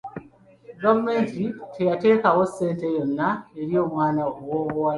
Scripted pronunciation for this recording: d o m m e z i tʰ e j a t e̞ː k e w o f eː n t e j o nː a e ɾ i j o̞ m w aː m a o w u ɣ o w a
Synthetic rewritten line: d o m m e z i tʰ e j a t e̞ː k a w o s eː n t e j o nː a e ɾ i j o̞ m w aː n a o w o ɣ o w a